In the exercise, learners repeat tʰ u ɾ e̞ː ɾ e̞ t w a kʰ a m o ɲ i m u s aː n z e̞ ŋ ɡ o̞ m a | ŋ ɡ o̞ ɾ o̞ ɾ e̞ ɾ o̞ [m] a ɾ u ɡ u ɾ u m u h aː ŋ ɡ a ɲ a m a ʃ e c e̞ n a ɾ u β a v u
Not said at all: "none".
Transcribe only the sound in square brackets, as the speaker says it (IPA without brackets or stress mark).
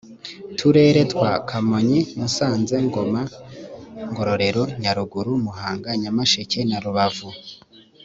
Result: ɲ